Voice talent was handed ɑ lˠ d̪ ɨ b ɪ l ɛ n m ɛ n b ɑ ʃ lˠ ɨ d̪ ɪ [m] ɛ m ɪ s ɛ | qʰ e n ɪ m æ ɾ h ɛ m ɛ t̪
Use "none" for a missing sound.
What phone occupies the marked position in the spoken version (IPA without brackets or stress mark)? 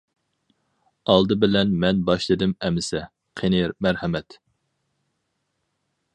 m